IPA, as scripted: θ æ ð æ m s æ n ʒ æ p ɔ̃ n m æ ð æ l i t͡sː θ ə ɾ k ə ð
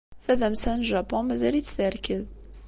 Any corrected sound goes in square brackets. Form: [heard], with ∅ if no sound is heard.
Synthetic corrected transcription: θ æ ð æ m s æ n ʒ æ p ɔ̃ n m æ [z] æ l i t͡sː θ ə ɾ k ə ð